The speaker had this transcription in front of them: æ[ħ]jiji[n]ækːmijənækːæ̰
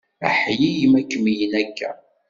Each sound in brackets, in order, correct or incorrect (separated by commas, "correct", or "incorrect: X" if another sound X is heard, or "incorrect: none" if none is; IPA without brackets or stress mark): correct, incorrect: m